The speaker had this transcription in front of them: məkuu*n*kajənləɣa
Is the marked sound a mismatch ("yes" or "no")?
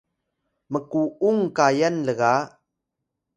yes